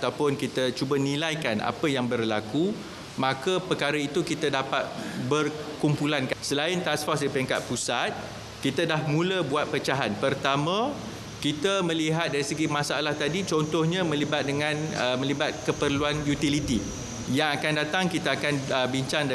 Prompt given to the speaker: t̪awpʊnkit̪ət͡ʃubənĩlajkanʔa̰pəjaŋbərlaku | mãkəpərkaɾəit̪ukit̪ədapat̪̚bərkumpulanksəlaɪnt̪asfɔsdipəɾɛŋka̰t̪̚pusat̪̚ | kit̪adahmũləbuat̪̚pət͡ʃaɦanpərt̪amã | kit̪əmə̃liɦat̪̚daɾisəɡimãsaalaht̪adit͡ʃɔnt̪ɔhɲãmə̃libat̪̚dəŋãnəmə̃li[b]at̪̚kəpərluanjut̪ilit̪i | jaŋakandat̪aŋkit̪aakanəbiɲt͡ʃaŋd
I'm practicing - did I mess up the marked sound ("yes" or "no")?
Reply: no